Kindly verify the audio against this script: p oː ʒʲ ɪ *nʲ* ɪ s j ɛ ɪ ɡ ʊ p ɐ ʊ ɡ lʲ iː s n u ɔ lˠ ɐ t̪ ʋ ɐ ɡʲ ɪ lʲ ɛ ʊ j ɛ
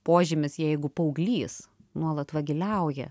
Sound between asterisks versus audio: incorrect: mʲ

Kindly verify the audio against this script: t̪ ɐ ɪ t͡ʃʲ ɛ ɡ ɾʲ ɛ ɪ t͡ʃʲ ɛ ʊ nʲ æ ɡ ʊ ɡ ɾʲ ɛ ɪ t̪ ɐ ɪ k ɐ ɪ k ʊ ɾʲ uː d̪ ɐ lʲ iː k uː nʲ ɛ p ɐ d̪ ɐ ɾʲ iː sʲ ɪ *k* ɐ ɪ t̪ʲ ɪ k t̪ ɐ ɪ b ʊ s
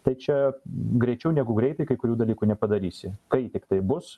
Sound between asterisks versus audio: correct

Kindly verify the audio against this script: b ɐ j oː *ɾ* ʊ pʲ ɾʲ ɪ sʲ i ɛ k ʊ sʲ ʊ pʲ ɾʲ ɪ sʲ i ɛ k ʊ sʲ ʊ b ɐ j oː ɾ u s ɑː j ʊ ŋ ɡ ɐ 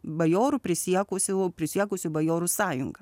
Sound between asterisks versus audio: correct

